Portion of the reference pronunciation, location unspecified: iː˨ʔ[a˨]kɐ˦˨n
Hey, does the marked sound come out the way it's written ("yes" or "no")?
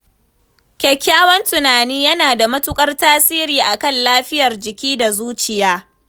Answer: yes